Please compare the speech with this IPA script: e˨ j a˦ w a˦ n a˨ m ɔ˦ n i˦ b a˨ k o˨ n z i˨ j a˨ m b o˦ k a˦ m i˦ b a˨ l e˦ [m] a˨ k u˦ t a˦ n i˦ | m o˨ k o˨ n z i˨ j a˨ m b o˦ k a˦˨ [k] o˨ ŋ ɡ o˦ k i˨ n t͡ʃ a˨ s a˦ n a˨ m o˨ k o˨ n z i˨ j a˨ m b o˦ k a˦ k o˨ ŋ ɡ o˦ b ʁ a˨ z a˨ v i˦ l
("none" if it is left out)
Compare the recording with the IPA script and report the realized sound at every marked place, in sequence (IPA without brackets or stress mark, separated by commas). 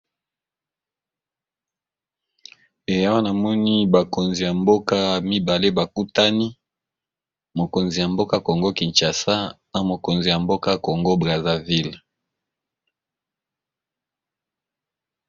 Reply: b, k